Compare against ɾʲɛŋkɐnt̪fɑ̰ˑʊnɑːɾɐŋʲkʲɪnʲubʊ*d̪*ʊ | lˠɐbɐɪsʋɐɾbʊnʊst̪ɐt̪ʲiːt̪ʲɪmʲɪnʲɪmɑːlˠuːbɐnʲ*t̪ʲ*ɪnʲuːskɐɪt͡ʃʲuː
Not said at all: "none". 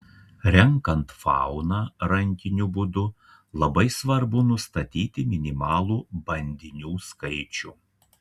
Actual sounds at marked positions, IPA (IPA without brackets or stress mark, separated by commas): d̪, d̪ʲ